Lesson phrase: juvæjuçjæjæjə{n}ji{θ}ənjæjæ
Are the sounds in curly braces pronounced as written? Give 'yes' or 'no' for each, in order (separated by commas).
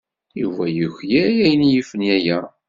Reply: yes, no